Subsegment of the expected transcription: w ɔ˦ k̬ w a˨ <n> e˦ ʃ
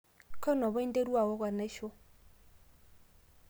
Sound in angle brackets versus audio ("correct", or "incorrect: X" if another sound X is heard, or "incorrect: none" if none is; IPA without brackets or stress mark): correct